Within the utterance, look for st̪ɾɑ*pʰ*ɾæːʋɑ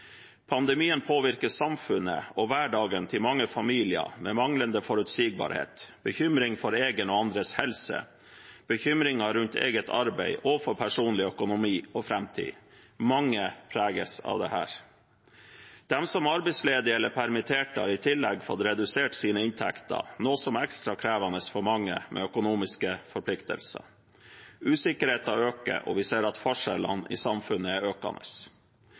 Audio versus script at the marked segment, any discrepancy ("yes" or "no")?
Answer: yes